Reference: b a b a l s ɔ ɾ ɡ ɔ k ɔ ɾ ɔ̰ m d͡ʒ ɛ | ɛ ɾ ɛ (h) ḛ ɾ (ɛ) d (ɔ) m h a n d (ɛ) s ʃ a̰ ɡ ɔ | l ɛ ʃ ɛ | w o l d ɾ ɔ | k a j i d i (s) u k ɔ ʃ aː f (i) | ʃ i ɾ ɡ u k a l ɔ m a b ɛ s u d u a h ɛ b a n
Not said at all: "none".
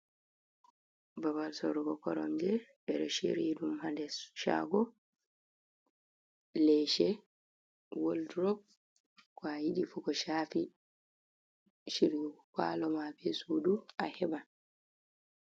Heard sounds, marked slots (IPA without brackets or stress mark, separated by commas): ʃ, i, u, ɛ, f, i